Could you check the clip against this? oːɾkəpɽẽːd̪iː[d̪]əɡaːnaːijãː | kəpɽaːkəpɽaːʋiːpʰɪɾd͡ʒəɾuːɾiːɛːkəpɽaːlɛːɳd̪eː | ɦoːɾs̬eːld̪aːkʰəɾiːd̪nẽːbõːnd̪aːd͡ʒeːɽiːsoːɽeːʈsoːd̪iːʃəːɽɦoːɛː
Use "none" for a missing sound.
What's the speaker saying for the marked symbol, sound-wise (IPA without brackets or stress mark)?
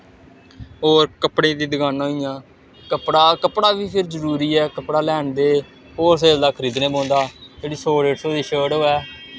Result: d̪